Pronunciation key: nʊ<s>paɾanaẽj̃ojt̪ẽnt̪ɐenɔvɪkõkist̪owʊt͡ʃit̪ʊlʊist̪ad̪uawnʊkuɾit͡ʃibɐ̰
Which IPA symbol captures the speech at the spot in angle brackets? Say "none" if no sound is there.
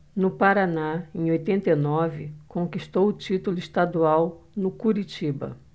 none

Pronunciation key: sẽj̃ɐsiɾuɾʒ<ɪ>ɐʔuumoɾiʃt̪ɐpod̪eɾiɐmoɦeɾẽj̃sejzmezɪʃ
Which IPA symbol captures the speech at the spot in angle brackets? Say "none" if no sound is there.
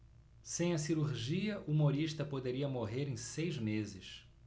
i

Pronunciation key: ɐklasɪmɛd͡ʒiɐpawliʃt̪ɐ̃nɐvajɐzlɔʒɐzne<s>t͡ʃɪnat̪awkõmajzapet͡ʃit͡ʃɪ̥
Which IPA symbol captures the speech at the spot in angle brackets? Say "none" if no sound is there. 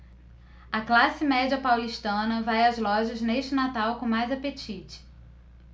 ʃ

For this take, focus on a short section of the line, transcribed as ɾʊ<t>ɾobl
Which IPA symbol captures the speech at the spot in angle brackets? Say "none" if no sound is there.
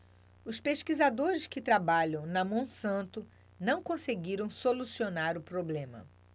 p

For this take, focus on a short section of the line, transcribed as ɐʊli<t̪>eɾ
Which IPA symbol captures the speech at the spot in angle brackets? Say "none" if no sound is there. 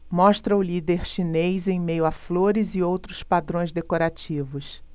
d̪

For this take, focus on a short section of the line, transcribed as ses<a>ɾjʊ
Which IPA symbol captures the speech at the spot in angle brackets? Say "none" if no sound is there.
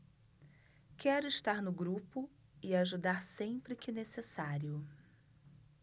a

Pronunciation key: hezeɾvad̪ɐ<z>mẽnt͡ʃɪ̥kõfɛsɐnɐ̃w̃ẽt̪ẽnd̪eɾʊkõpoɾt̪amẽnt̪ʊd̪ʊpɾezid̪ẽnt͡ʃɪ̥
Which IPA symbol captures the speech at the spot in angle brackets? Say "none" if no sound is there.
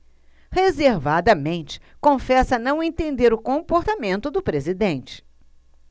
none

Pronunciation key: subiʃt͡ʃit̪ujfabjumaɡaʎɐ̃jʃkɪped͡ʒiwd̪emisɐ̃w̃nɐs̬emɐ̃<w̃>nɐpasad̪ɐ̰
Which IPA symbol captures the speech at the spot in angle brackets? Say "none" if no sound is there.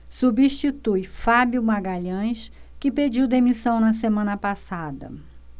none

